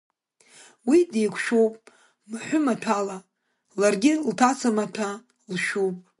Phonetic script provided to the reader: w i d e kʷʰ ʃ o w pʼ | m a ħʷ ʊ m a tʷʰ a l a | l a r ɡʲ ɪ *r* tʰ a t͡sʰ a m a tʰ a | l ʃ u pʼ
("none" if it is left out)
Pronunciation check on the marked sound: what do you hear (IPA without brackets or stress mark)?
l